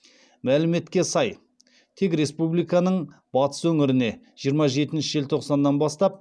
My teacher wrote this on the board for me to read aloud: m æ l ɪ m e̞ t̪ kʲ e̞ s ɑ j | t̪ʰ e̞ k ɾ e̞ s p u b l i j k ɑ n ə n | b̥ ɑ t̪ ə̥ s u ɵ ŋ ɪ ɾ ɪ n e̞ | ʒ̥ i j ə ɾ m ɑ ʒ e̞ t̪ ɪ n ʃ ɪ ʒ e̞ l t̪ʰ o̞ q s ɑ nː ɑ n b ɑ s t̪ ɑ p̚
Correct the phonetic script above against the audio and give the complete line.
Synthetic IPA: m æ l ɪ m e̞ t̪ kʲ e̞ s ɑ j | t̪ʰ e̞ k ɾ e̞ s p u b l i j k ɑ n ə ɴ | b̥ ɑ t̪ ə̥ s w ɵ ŋ ɪ ɾ ɪ n e̞ | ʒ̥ i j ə ɾ m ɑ ʒ e̞ t̪ ɪ n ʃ ɪ ʒ e̞ l t̪ʰ o̞ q s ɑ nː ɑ n b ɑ s t̪ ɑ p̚